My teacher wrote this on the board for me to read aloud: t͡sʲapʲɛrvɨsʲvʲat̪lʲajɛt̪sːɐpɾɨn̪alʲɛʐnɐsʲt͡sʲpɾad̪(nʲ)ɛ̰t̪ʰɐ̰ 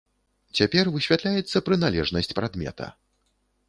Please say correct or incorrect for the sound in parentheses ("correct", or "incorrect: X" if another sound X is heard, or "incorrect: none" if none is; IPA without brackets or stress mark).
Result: incorrect: mʲ